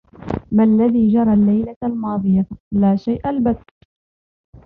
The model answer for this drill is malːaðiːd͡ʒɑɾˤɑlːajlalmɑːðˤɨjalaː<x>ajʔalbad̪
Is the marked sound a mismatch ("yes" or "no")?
yes